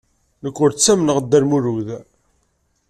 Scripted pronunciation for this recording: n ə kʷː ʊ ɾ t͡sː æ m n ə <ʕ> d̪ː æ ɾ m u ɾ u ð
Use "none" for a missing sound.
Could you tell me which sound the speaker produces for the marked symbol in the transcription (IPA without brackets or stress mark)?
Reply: ʁ